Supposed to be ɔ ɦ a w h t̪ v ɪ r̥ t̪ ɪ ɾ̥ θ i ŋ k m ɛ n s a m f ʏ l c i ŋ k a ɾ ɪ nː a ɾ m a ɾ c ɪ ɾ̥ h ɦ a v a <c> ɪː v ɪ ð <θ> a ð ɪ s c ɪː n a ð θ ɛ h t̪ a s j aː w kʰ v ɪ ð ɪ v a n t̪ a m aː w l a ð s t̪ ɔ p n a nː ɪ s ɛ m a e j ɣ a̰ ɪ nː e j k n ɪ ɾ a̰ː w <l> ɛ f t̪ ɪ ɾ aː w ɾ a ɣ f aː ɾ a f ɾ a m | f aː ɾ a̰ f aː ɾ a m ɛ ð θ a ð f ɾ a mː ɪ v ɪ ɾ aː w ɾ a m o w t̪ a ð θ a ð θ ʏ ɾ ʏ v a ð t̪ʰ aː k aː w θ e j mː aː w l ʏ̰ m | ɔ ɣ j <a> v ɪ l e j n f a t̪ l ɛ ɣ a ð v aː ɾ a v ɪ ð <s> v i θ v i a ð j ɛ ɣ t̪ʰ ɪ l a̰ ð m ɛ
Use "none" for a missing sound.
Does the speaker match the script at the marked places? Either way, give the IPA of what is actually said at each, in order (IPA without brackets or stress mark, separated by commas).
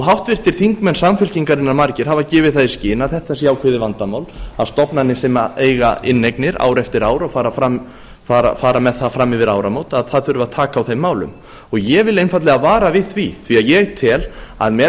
c, θ, ɾ, ɛ, θ